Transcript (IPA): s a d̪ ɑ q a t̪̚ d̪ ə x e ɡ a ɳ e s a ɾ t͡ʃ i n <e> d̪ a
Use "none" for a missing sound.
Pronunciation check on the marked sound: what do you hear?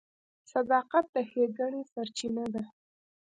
a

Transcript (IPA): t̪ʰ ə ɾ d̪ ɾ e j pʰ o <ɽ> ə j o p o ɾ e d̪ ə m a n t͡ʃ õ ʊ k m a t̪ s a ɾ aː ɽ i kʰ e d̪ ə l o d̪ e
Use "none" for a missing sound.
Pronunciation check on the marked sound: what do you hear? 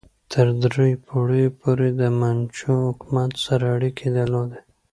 ɽ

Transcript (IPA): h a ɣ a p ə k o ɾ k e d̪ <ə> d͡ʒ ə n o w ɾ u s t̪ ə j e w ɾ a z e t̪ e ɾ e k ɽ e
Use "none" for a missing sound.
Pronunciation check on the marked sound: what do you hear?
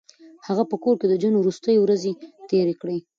ə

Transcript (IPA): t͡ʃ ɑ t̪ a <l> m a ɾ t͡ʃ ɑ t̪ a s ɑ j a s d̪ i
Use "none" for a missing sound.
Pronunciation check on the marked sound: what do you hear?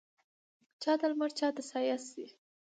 l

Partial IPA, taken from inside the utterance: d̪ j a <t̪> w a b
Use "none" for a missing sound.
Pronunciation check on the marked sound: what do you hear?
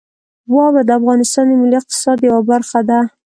none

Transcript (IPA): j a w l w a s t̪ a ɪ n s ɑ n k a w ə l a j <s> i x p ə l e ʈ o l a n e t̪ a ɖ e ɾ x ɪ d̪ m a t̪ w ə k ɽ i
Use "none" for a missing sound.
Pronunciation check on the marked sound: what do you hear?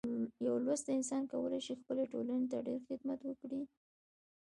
ʃ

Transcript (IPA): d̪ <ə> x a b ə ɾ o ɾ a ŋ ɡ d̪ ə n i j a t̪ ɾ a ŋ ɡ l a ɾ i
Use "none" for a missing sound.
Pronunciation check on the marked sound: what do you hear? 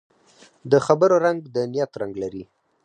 ə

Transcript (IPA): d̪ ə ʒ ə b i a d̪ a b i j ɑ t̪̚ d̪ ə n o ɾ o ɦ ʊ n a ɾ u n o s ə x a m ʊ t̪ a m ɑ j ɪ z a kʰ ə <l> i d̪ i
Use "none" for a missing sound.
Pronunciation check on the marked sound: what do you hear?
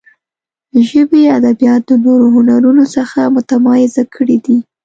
ɽ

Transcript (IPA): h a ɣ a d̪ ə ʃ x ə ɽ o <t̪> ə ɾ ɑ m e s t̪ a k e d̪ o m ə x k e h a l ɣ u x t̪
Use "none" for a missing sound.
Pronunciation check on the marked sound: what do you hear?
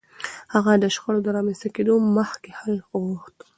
d̪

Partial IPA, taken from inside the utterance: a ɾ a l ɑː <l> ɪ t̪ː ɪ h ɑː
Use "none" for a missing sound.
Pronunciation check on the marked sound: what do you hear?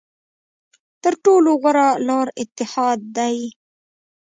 ɾ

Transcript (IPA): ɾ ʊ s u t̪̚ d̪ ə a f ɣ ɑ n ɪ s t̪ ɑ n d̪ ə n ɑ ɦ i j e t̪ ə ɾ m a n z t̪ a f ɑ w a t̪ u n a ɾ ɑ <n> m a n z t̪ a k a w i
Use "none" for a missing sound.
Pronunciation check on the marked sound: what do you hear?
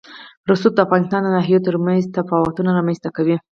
none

